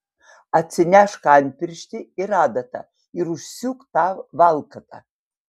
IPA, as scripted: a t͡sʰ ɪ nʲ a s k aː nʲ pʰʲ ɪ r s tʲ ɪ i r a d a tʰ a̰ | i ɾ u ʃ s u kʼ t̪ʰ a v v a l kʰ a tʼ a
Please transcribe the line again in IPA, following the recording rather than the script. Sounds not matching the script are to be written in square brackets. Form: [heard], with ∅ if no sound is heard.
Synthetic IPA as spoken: a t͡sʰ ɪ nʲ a [ʂ] k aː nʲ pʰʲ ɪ r [ʃ] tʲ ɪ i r a d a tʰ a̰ | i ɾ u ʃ s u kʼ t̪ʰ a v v a l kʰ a tʼ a

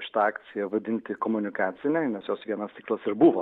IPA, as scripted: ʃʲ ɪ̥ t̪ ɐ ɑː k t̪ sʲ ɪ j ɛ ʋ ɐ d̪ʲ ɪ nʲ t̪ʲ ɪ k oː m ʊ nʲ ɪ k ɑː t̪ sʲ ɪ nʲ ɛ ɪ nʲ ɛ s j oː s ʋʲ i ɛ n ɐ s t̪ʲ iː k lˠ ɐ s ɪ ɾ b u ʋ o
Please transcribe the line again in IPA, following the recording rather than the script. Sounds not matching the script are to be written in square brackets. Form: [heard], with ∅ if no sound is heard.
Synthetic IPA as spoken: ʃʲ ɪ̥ t̪ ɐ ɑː k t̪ sʲ ɪ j ɛ ʋ ɐ d̪ʲ ɪ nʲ t̪ʲ ɪ k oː m ʊ nʲ ɪ k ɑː t̪ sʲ ɪ nʲ ɛ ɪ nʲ ɛ s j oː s ʋʲ i ɛ n ɐ s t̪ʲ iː k lˠ ɐ s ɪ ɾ b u ʋ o

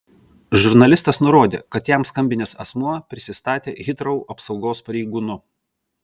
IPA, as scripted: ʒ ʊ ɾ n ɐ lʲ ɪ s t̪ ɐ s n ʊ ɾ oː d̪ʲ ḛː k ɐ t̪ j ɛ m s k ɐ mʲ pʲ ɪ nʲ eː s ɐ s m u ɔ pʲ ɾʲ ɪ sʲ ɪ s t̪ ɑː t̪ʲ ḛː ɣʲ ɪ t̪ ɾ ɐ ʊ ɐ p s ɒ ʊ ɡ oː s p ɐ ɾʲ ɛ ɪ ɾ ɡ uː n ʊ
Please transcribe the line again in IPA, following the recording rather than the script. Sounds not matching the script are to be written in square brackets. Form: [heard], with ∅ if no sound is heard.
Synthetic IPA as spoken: ʒ ʊ ɾ n ɐ lʲ ɪ s t̪ ɐ s n ʊ ɾ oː d̪ʲ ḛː k ɐ t̪ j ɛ m s k ɐ mʲ [bʲ] ɪ nʲ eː s ɐ s m u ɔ pʲ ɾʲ ɪ sʲ ɪ s t̪ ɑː t̪ʲ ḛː ɣʲ ɪ t̪ ɾ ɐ ʊ ɐ p s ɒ ʊ ɡ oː s p ɐ ɾʲ ɛ ɪ [∅] ɡ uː n ʊ

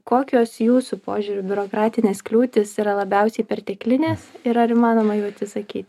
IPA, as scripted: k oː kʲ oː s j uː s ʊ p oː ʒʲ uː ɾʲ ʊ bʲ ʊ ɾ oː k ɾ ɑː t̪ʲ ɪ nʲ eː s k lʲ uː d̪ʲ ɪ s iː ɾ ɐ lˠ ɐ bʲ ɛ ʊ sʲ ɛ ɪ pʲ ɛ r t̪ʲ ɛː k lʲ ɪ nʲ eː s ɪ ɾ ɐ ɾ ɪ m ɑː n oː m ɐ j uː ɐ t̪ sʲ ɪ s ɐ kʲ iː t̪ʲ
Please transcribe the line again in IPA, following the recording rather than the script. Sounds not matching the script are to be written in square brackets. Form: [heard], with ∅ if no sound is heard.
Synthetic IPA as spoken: k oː kʲ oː s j uː s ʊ p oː ʒʲ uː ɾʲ ʊ bʲ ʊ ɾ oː k ɾ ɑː t̪ʲ ɪ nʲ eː s k lʲ uː [t̪ʲ] ɪ s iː ɾ ɐ lˠ ɐ bʲ ɛ ʊ sʲ ɛ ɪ pʲ ɛ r t̪ʲ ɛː k lʲ ɪ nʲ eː s ɪ ɾ ɐ ɾ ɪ m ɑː n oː m ɐ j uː ɐ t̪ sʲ ɪ s ɐ kʲ iː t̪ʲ

